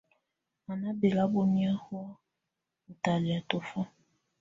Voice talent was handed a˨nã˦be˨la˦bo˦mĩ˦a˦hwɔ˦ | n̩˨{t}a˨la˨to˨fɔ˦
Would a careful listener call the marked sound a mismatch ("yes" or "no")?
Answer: no